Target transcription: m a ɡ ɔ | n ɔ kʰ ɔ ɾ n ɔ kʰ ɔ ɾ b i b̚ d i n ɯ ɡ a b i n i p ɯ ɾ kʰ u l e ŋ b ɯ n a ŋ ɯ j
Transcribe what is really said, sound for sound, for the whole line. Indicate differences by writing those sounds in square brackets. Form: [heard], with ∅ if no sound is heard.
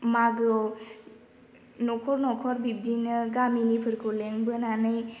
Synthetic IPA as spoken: m a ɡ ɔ | n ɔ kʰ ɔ ɾ n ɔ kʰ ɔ ɾ b i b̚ d i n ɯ ɡ a [m] i n i [pʰ] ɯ ɾ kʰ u l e ŋ b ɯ n a [n] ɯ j